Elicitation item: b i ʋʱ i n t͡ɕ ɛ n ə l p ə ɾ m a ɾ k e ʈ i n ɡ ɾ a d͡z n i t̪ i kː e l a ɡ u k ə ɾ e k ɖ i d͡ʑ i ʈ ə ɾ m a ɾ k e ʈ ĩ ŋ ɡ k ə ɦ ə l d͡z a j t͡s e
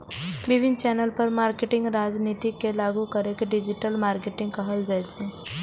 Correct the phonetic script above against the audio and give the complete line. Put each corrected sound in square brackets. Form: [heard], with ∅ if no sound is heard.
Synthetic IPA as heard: b i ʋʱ i n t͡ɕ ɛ n ə l p ə ɾ m a ɾ k e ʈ i [ŋ] ɡ ɾ a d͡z n i t̪ i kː e l a ɡ u k ə ɾ e k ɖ i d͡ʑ i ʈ ə [l] m a ɾ k e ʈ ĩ ŋ ɡ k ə ɦ ə l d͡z a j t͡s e